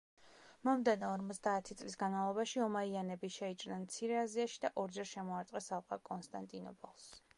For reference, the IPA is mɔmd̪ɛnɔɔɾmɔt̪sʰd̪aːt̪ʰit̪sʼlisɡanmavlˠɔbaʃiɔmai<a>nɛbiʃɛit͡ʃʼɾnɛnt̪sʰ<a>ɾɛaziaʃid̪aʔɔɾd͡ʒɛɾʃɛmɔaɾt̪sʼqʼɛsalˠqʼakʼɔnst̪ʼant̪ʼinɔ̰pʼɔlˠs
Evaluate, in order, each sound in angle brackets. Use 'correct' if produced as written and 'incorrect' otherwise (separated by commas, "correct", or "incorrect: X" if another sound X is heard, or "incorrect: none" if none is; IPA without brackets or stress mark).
correct, incorrect: i